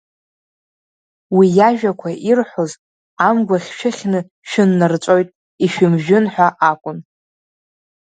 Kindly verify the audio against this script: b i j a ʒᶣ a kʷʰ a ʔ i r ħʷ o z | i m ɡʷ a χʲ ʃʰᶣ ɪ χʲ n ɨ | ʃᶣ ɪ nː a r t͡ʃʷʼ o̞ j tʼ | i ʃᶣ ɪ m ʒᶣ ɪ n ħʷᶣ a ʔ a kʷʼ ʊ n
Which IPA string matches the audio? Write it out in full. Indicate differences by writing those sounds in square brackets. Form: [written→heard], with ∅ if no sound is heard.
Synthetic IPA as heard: [b→w] i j a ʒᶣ a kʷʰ a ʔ i r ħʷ o z | [i→a] m ɡʷ a χʲ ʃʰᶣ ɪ χʲ n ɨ | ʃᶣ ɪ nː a r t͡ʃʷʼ o̞ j tʼ | i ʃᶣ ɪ m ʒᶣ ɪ n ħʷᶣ a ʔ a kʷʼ ʊ n